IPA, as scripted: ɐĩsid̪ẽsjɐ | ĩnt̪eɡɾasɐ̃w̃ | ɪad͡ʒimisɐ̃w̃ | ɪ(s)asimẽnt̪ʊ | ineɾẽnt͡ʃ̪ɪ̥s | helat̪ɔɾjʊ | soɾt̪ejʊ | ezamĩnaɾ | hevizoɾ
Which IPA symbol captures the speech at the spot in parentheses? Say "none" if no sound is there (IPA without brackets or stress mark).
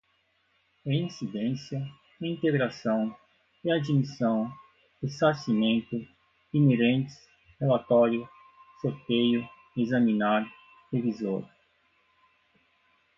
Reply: s